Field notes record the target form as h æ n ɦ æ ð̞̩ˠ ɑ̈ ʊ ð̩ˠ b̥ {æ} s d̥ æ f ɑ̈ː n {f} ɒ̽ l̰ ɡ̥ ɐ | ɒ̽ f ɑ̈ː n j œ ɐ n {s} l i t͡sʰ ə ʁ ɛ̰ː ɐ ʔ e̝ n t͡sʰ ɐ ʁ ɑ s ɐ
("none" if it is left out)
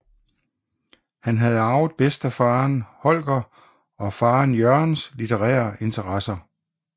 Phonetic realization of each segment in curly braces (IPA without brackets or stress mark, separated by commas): e, h, s